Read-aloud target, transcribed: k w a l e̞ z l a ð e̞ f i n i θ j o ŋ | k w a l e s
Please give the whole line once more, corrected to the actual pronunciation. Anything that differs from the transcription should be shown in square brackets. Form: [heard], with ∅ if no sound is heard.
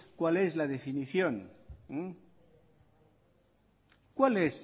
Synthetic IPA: k w a l e̞ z l a ð e̞ f i n i θ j o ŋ | k w a l e s